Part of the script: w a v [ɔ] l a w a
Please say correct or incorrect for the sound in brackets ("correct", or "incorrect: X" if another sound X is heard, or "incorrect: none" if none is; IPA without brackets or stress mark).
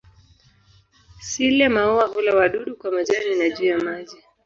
incorrect: u